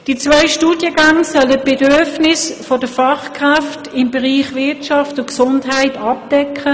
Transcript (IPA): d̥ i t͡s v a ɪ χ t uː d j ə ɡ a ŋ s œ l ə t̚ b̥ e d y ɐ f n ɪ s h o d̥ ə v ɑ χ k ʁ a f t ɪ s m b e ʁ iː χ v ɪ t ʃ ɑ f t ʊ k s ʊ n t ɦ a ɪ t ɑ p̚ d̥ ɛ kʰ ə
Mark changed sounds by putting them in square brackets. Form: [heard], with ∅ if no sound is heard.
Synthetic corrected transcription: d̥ i t͡s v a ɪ [ʃ] t uː d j ə ɡ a ŋ s œ l ə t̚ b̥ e d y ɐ f n ɪ s [f] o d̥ ə [f] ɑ χ k ʁ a f t ɪ [∅] m b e ʁ iː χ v ɪ t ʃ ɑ f t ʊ k s ʊ n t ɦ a ɪ t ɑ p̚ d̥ ɛ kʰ ə